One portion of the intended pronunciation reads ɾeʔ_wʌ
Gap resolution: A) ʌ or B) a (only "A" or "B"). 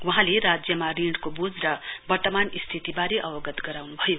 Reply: A